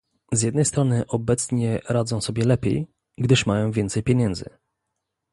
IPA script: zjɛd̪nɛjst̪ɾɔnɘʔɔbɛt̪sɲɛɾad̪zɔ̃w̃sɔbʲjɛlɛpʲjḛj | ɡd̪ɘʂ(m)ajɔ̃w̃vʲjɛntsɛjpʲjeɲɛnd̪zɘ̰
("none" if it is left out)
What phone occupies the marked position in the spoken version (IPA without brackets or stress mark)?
m